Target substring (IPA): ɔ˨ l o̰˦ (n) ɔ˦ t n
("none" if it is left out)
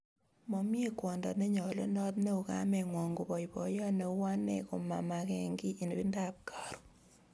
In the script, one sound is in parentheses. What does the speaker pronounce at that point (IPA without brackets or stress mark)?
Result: n